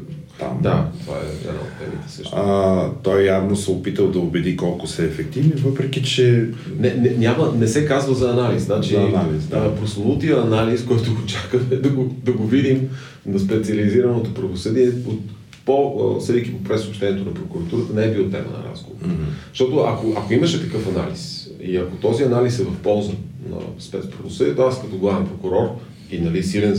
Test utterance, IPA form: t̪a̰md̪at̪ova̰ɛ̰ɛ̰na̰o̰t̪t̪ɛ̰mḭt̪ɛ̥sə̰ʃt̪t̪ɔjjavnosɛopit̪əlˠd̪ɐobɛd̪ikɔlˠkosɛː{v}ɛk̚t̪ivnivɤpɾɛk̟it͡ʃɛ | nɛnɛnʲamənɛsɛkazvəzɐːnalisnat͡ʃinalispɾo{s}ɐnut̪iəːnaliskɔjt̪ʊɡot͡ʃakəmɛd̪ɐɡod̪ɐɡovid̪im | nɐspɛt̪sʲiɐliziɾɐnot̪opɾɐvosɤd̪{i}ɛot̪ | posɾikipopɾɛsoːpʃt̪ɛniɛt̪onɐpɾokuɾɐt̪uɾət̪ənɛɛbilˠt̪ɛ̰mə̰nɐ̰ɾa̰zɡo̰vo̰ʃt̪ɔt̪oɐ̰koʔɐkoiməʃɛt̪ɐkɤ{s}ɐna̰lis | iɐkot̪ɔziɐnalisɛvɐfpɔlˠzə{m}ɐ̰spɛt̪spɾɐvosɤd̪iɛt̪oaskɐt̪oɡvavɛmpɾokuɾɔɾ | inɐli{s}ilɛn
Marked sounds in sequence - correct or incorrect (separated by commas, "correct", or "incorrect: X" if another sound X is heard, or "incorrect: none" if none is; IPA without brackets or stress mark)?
incorrect: f, correct, correct, incorrect: f, incorrect: n, correct